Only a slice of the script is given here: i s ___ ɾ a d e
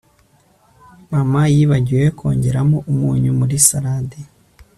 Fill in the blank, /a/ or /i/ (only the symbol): a